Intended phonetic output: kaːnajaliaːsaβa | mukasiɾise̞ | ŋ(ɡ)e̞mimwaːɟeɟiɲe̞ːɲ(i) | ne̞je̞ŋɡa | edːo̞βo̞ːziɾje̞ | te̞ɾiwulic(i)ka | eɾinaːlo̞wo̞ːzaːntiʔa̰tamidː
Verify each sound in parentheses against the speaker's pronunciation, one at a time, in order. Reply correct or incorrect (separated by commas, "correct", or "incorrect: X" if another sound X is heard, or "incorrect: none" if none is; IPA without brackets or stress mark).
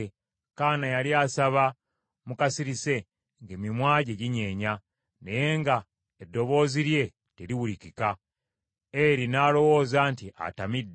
correct, incorrect: a, correct